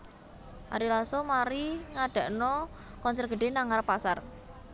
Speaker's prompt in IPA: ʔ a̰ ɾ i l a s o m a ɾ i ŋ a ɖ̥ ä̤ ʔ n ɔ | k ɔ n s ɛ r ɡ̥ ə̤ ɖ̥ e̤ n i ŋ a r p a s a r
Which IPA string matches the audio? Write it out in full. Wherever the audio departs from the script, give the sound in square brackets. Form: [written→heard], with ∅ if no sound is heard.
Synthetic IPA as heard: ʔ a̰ ɾ i l a s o m a ɾ i ŋ a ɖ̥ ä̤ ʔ n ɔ | k ɔ n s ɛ r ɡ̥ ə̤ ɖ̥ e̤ n [i→a] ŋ a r p a s a r